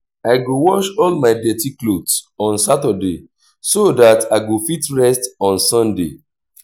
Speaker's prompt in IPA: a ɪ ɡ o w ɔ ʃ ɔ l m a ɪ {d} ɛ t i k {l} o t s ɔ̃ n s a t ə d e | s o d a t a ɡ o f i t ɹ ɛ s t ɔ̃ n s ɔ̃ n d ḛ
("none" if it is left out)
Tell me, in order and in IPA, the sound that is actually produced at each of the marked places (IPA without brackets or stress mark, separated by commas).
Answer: d, l